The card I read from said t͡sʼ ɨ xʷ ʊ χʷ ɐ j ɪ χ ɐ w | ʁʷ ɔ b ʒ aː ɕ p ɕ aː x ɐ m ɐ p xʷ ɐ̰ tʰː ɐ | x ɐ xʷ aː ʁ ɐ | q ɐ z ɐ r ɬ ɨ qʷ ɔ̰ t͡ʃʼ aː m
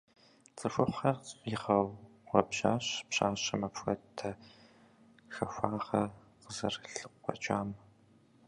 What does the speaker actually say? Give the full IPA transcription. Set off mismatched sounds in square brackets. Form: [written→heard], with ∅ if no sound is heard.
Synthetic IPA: t͡sʼ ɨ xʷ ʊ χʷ ɐ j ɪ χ ɐ w | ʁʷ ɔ b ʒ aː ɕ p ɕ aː [x→ɕ] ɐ m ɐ p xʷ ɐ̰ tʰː ɐ | x ɐ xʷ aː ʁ ɐ | q [ɐ→ə] z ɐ r ɬ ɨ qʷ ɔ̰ t͡ʃʼ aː m